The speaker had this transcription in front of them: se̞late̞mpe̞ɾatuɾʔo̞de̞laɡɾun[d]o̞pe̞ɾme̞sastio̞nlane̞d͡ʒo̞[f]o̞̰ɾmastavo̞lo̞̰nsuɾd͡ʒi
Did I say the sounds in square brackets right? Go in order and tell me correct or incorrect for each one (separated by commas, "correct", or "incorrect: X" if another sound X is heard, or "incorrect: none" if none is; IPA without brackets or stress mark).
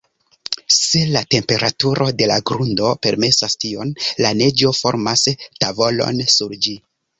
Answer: correct, correct